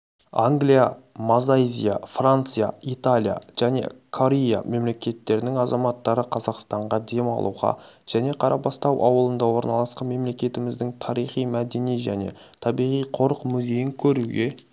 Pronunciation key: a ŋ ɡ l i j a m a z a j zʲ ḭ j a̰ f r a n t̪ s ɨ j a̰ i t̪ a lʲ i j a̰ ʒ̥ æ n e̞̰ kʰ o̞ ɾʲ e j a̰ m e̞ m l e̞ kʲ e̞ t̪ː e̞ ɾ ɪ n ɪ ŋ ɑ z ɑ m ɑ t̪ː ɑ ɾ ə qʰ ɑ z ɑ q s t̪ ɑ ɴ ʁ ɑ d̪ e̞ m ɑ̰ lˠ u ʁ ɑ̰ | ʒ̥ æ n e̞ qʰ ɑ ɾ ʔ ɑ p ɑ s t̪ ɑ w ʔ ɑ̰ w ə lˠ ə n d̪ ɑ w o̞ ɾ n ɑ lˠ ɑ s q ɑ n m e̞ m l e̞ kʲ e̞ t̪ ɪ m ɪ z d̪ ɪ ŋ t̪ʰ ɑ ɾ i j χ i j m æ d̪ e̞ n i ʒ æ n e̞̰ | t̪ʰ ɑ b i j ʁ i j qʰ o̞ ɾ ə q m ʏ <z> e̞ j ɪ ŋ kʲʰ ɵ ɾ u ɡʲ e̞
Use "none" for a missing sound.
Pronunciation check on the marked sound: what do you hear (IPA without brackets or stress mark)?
z